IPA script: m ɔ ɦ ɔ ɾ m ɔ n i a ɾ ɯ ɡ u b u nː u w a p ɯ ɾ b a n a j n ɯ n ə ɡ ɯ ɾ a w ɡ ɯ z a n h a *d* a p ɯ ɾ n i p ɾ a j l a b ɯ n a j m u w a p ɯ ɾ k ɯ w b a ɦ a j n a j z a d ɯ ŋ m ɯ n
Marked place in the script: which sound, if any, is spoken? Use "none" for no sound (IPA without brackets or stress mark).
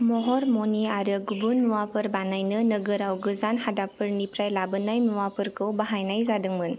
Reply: d